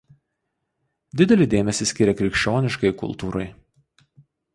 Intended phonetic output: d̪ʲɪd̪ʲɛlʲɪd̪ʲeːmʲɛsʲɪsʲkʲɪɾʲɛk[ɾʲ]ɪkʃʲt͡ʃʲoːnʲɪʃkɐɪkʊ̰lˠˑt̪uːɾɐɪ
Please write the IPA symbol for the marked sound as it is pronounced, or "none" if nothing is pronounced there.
ɾʲ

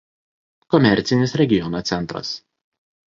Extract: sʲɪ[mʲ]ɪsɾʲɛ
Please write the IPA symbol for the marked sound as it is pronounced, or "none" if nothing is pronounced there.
nʲ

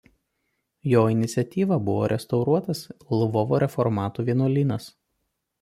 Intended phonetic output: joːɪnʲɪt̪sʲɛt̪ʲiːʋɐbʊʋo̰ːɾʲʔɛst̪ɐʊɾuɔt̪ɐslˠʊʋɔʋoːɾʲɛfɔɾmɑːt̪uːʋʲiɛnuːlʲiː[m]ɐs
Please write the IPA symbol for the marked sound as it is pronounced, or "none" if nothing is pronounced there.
n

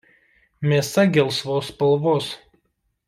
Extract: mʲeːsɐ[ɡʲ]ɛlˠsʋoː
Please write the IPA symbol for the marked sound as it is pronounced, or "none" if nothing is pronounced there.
ɡʲ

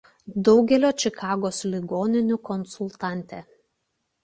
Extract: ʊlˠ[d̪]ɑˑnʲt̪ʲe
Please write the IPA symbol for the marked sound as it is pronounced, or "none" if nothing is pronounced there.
t̪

